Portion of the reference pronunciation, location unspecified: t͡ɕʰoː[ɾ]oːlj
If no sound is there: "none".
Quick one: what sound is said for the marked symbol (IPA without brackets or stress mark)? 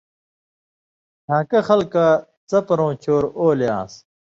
ɾ